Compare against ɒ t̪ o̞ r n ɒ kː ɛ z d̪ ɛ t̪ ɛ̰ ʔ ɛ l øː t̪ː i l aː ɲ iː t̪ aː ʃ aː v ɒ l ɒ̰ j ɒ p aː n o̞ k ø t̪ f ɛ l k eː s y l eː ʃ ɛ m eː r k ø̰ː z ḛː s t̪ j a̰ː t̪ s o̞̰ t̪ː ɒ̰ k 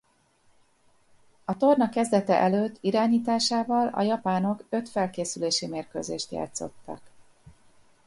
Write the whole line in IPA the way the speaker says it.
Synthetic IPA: ɒ t̪ o̞ r n ɒ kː ɛ z d̪ ɛ t̪ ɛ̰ ʔ ɛ l øː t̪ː i ɾ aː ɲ iː t̪ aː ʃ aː v ɒ l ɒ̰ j ɒ p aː n o̞ k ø t̪ f ɛ l k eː s y l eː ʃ i m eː r k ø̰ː z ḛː ʃ t̪ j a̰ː t̪ s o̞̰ t̪ː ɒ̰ k